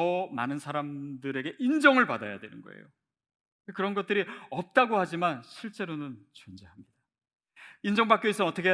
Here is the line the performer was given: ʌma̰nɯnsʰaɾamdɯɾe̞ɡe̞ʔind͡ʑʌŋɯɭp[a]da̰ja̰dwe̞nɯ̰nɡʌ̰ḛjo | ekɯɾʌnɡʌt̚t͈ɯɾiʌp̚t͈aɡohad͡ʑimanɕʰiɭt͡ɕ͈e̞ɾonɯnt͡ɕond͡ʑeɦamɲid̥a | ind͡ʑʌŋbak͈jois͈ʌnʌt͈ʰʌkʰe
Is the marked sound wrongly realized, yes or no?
no